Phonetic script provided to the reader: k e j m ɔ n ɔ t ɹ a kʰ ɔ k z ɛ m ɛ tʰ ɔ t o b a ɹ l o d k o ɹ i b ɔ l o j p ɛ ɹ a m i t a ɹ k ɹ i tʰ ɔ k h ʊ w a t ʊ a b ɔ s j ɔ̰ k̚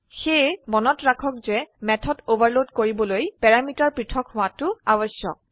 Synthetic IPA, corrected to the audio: x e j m ɔ n ɔ t ɹ a kʰ ɔ k z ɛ m ɛ tʰ ɔ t o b a ɹ l o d k o ɹ i b ɔ l o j p ɛ ɹ a m i t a ɹ p ɹ i tʰ ɔ k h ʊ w a t ʊ a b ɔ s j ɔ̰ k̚